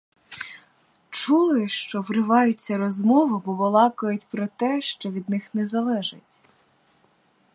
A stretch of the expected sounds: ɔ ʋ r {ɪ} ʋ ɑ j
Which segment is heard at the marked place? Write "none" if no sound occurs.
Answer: ɪ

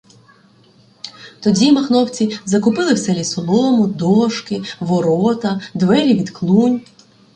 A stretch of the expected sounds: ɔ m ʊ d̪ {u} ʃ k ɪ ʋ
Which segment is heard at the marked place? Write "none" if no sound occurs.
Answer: ɔ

